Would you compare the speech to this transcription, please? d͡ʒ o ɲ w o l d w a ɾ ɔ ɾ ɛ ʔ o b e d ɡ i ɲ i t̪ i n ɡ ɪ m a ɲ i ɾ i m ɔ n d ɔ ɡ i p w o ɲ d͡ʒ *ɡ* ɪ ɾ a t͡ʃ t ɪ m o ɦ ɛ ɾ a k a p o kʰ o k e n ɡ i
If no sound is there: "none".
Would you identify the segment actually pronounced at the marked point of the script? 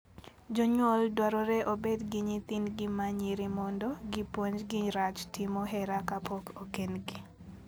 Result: ɡ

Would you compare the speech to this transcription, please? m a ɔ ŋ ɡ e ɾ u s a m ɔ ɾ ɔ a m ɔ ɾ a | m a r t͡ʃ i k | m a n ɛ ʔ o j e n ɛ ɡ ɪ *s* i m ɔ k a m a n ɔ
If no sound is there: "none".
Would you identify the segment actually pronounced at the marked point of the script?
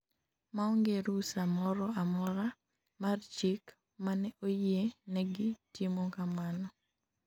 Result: t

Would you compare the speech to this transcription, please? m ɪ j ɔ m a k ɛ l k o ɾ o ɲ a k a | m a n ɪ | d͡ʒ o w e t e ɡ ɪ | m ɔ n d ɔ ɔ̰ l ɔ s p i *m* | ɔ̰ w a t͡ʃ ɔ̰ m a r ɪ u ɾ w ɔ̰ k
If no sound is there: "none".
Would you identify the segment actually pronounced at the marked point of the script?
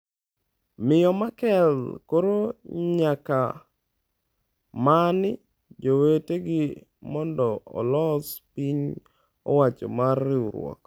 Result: ɲ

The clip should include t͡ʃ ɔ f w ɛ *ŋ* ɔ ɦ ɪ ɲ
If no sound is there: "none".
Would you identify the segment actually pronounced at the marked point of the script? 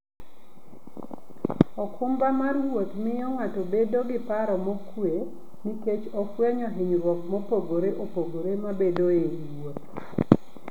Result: ɲ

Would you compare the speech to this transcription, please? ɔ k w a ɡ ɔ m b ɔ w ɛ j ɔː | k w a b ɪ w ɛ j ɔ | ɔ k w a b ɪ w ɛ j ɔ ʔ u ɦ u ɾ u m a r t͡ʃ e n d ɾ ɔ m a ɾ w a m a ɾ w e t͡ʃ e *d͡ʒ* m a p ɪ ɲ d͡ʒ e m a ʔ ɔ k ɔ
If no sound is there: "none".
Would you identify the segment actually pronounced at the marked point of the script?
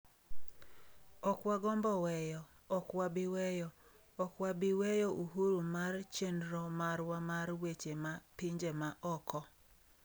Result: none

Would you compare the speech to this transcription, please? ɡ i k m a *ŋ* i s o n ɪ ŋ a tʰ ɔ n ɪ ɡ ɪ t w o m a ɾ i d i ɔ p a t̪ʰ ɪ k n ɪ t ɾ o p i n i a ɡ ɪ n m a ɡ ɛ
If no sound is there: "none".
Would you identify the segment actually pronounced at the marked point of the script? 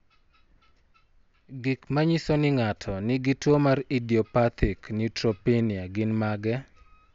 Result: ɲ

